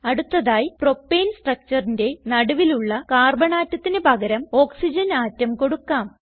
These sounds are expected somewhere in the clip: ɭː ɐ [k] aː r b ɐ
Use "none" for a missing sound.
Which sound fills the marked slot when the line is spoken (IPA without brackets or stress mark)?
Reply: k